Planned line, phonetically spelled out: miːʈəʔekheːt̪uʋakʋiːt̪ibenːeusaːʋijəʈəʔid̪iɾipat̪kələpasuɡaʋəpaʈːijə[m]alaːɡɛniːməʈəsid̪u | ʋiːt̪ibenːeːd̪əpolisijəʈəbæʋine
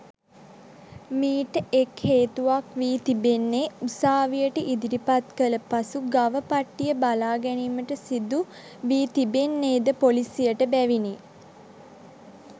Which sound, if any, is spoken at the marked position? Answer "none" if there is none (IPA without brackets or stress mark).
b